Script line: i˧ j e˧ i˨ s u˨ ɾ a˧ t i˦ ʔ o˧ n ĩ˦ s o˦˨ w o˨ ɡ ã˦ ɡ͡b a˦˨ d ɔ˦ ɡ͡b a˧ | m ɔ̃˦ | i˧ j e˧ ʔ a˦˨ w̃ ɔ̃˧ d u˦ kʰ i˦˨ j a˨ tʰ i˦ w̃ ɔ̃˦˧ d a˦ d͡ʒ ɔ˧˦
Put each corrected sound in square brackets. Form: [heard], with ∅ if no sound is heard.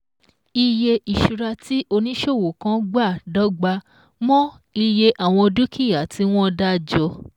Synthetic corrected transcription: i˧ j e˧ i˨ [ʃ] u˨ ɾ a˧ t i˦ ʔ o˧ n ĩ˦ [ʃ] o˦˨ w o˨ [k] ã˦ ɡ͡b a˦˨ d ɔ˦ ɡ͡b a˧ | m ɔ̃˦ | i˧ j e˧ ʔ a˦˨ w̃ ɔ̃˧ d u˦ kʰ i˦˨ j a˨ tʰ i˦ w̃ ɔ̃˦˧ d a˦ d͡ʒ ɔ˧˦